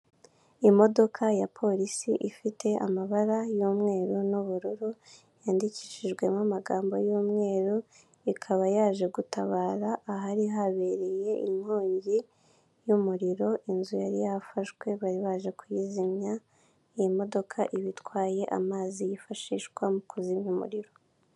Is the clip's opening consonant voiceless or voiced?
voiced